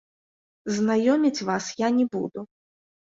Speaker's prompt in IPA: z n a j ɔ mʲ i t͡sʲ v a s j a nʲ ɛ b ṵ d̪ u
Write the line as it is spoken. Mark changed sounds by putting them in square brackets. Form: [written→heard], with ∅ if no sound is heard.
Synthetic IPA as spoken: z n a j ɔ mʲ i t͡sʲ v a s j a nʲ ɛ b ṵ d̪ u